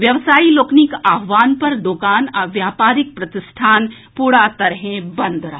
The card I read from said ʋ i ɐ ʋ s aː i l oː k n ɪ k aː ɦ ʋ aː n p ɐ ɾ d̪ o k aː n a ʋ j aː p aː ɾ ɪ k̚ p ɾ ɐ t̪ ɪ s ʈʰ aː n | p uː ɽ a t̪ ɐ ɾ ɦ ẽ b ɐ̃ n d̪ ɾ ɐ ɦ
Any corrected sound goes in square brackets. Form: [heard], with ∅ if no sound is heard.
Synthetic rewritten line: ʋ [j] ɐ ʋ s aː i l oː k n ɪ k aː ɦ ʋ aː n p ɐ ɾ d̪ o k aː n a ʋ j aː p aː ɾ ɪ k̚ p ɾ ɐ t̪ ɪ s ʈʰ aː n | p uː ɽ a t̪ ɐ ɾ ɦ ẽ b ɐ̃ n d̪ ɾ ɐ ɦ